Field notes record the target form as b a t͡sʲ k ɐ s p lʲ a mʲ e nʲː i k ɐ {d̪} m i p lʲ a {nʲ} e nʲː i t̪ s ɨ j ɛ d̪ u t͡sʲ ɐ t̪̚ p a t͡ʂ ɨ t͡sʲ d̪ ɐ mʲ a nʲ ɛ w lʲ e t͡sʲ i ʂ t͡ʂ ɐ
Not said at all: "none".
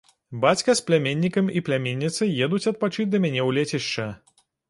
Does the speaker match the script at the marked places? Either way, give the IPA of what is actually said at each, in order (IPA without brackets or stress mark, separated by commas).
none, mʲ